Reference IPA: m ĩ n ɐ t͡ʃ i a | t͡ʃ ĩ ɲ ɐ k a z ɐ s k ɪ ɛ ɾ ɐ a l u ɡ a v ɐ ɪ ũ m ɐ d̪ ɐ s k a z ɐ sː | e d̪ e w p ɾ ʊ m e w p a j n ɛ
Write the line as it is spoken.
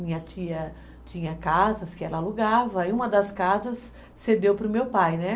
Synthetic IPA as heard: m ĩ ɲ ɐ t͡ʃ i ɐ | t͡ʃ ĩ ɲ ɐ k a z ɐ s k ɪ ɛ l ɐ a l u ɡ a v ɐ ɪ ũ m ɐ d̪ ɐ s k a z ɐ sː | e d̪ e w p ɾ ʊ m e w p a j n ɛ